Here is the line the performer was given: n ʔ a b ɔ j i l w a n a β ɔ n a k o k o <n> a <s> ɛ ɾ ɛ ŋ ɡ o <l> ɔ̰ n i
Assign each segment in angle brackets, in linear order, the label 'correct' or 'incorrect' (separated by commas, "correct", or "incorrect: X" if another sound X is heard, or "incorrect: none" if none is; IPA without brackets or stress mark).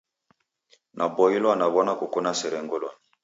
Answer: correct, correct, correct